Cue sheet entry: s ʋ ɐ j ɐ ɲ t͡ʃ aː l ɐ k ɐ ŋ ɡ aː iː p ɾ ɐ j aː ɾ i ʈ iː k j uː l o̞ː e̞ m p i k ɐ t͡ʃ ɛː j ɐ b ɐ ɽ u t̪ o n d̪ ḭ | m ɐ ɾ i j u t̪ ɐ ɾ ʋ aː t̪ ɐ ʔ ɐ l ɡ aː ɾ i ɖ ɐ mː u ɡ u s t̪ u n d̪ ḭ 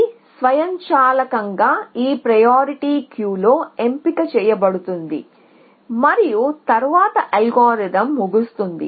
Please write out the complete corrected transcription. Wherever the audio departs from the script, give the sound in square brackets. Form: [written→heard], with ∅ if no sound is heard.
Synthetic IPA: s ʋ ɐ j ɐ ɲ t͡ʃ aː l ɐ k ɐ ŋ ɡ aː iː p ɾ ɐ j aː ɾ i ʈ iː k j uː l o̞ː e̞ m p i k ɐ t͡ʃ ɛː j ɐ b ɐ ɽ u t̪ [o→u] n d̪ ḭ | m ɐ ɾ i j u t̪ ɐ ɾ ʋ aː t̪ ɐ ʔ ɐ l ɡ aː ɾ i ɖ ɐ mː u ɡ u s t̪ u n d̪ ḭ